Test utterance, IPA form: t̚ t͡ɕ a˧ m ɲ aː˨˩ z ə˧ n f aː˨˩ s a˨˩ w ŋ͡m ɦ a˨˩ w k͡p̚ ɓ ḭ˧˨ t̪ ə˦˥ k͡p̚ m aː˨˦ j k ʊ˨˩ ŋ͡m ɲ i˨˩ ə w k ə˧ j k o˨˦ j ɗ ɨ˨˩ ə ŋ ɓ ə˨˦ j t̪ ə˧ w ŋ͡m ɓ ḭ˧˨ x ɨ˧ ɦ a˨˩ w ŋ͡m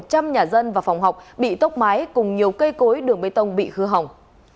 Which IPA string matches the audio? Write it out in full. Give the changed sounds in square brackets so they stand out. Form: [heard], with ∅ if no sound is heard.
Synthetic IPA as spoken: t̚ t͡ɕ a˧ m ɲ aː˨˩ z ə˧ n [v] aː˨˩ [f] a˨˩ w ŋ͡m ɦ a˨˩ w k͡p̚ ɓ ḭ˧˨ t̪ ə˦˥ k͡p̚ m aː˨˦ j k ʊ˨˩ ŋ͡m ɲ i˨˩ ə w k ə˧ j k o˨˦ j ɗ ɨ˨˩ ə ŋ ɓ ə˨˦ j t̪ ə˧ w ŋ͡m ɓ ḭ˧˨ x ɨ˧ ɦ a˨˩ w ŋ͡m